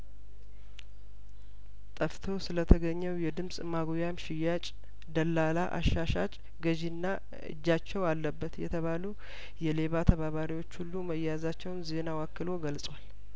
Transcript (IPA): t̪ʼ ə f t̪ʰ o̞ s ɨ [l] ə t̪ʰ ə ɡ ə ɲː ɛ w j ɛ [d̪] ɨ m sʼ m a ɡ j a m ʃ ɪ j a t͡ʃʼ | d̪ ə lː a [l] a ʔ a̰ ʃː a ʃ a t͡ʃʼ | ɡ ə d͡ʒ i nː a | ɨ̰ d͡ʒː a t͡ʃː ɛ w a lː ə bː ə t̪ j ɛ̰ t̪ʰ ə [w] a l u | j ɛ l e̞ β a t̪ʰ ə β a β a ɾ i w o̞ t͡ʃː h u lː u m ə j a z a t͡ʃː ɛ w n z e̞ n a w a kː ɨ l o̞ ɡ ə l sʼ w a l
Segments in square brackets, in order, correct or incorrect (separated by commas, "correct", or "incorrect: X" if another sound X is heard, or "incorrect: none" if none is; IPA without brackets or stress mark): correct, correct, correct, incorrect: β